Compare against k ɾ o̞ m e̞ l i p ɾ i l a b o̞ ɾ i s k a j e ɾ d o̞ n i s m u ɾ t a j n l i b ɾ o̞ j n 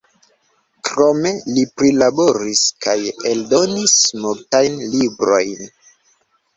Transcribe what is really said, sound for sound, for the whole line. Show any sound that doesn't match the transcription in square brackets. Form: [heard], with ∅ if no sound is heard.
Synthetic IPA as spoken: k ɾ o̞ m e̞ l i p ɾ i l a b o̞ ɾ i s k a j e [l] d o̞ n i s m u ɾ t a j n l i b ɾ o̞ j n